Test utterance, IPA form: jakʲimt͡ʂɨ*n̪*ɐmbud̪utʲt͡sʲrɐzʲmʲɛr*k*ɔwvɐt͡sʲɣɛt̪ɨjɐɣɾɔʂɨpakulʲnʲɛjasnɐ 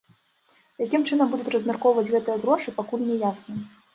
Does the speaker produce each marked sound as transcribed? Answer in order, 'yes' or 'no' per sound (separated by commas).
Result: yes, yes